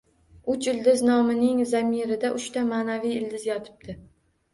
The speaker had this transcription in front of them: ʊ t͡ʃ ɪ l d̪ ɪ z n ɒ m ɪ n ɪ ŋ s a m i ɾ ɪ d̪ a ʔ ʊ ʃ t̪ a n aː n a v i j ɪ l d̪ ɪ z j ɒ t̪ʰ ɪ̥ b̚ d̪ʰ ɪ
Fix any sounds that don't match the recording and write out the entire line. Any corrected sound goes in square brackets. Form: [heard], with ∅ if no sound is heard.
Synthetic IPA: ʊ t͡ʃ ɪ l d̪ ɪ z n ɒ m ɪ n ɪ ŋ [z] a m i ɾ ɪ d̪ a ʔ ʊ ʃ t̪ a [m] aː n a v i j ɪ l d̪ ɪ z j ɒ t̪ʰ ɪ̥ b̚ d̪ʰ ɪ